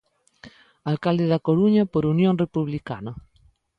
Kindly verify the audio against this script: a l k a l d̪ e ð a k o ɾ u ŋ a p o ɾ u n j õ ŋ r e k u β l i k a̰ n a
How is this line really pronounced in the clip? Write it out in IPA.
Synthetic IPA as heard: a l k a l d̪ e ð a k o ɾ u ɲ a p o ɾ u n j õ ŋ r e p u β l i k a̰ n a